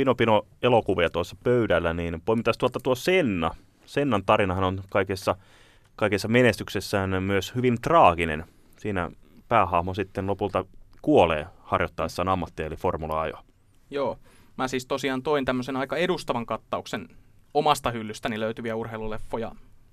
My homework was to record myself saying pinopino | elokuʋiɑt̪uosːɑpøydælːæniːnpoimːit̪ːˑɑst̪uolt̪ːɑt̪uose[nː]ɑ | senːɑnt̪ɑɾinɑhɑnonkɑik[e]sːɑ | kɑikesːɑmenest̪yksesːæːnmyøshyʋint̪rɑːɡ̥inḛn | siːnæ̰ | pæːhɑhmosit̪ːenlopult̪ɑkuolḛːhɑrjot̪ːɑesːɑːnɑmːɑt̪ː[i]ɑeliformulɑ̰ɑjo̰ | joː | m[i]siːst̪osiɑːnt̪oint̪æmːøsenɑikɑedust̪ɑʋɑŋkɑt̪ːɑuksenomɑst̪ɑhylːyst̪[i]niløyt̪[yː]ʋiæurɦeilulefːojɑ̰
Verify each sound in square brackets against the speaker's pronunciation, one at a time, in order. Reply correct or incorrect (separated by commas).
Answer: correct, correct, correct, incorrect, incorrect, incorrect